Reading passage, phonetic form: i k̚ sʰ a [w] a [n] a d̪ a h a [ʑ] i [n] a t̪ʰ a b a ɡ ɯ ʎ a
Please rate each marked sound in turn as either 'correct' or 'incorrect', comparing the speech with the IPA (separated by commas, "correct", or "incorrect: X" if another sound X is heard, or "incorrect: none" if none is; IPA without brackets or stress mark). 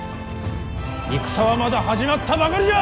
correct, incorrect: m, incorrect: d͡ʑ, incorrect: m